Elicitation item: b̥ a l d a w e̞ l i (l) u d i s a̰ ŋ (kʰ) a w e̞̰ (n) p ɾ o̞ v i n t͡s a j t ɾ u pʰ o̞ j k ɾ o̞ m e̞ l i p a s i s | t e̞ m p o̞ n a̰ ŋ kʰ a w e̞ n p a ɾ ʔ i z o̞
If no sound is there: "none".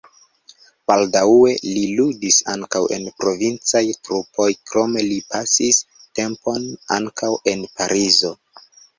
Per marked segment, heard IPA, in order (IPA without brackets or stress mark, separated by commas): l, k, n